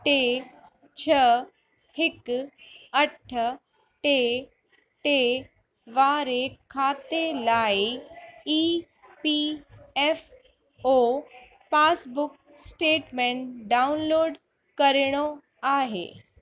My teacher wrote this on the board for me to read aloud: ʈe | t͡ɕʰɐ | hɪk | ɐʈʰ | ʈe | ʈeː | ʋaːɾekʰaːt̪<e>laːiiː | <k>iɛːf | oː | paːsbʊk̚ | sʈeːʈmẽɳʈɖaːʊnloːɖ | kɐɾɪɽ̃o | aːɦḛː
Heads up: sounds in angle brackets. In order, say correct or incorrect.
correct, incorrect

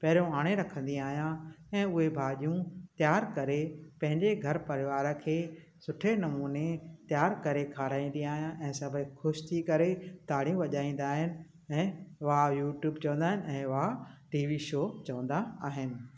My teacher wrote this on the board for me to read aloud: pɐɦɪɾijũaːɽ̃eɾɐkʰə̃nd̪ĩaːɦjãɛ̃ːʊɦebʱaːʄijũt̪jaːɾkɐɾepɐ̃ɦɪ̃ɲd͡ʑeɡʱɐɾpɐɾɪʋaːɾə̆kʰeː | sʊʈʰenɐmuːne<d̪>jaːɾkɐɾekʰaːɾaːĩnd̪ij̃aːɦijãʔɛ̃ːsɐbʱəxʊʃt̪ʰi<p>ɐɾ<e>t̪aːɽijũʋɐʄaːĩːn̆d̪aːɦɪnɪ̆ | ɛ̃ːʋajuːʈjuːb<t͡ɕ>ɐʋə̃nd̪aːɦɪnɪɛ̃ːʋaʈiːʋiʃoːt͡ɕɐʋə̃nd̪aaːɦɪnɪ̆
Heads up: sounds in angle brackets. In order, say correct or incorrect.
incorrect, incorrect, correct, correct

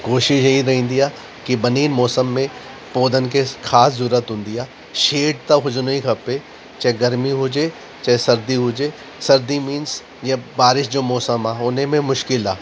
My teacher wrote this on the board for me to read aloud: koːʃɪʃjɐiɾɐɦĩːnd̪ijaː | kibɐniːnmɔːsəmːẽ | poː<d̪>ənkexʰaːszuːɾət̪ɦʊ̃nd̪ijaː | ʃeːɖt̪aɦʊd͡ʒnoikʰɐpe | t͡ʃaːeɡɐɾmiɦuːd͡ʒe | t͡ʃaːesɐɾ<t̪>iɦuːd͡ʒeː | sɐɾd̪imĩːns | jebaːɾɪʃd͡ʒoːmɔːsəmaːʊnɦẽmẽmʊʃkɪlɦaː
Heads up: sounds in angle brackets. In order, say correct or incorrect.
correct, incorrect

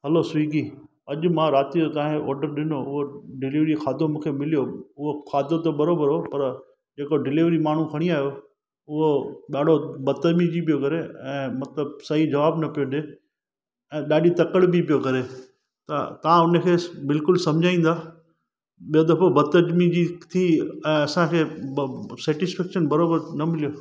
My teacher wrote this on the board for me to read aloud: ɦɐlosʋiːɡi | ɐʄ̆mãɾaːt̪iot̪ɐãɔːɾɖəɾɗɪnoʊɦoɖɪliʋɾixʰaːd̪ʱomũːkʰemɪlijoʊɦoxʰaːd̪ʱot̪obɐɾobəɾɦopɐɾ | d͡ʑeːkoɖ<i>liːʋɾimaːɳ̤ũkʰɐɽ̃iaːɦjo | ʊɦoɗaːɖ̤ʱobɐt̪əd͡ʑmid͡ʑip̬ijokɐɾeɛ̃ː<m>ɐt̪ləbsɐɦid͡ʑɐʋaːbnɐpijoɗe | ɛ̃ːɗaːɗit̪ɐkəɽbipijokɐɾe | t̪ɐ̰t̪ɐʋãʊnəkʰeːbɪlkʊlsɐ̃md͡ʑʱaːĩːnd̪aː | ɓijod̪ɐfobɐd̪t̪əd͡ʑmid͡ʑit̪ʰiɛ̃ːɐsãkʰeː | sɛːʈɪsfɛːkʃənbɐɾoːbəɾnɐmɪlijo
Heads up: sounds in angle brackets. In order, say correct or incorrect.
incorrect, correct

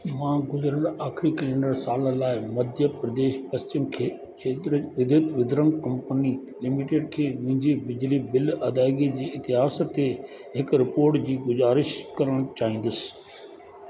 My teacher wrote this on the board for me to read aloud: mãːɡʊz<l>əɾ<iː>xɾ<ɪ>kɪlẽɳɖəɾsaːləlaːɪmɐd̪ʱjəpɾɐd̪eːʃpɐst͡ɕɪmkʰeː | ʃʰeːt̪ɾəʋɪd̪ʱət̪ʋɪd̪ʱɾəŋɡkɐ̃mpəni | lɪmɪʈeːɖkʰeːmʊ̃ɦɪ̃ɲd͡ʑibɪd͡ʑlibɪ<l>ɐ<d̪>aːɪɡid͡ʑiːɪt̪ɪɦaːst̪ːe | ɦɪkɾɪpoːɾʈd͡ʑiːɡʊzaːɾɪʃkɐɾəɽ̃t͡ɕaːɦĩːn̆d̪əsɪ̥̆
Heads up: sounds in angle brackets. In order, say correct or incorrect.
incorrect, incorrect, incorrect, correct, correct

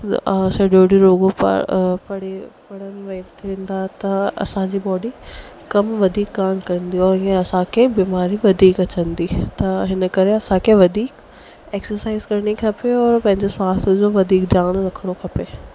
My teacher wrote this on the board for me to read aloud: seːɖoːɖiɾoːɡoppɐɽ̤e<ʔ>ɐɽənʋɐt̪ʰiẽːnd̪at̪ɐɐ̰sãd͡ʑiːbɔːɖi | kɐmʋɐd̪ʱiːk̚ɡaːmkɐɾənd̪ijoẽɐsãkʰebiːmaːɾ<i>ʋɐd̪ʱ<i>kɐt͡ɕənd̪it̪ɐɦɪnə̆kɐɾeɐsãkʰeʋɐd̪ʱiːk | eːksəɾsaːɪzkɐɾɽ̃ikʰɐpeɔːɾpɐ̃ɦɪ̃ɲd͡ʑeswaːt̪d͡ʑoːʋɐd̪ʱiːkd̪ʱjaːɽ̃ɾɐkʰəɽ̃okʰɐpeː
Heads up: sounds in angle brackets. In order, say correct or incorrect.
incorrect, correct, incorrect

